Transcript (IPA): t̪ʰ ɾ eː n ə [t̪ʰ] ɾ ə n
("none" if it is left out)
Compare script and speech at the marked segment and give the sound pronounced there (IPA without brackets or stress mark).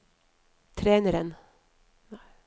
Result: none